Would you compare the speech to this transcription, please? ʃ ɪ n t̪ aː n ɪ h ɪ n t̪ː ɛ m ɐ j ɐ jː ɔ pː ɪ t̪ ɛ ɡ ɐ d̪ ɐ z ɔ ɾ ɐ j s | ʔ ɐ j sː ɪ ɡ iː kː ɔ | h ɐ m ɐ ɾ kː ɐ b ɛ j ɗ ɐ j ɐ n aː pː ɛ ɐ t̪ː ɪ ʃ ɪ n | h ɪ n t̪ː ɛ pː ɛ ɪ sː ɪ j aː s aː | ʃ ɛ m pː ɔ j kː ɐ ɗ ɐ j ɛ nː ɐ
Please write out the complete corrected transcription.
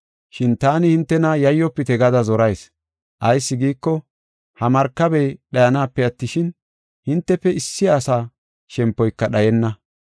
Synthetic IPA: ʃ ɪ n t̪ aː n ɪ h ɪ n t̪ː ɛ n ɐ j ɐ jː ɔ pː ɪ t̪ ɛ ɡ ɐ d̪ ɐ z ɔ ɾ ɐ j s | ʔ ɐ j sː ɪ ɡ iː kː ɔ | h ɐ m ɐ ɾ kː ɐ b ɛ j ɗ ɐ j ɐ n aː pː ɛ ɐ t̪ː ɪ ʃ ɪ n | h ɪ n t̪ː ɛ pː ɛ ɪ sː ɪ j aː s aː | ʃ ɛ m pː ɔ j kː ɐ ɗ ɐ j ɛ nː ɐ